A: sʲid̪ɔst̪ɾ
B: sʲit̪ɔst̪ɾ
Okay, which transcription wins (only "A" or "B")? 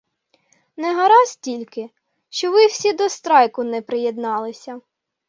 A